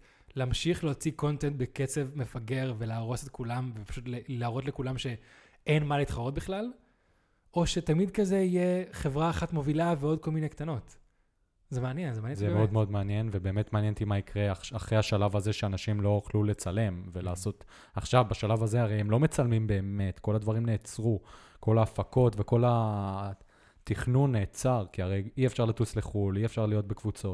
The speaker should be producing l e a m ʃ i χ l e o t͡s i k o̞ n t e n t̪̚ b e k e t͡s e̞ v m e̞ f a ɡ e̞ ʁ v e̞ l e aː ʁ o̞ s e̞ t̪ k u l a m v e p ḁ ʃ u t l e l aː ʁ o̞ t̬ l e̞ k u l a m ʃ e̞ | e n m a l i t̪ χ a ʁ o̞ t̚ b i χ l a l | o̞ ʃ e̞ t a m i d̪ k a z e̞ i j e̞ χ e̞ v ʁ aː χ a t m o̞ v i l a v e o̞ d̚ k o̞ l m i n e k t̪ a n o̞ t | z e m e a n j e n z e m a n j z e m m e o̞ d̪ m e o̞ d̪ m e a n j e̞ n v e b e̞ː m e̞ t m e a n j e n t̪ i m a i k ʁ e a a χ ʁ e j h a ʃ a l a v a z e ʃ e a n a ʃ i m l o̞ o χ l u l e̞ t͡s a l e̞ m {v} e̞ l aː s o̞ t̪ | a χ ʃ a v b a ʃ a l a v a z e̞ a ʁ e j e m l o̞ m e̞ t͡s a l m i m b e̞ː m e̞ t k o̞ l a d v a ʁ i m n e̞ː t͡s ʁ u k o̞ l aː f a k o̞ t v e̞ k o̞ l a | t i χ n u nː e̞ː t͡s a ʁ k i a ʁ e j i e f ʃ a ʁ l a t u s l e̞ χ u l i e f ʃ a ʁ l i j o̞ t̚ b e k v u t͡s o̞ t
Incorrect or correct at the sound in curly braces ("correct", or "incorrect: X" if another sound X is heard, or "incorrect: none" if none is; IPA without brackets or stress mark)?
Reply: correct